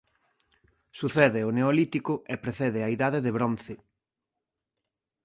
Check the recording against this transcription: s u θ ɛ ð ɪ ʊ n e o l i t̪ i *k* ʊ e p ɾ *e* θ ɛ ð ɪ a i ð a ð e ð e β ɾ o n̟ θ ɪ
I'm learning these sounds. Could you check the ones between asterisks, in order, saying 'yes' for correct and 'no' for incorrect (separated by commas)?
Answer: yes, yes